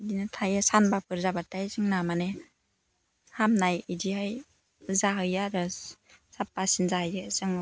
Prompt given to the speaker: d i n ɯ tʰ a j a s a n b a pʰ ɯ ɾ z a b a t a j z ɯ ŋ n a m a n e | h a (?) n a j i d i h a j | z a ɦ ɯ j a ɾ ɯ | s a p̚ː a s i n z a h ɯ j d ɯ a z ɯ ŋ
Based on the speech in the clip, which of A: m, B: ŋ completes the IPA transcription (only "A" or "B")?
A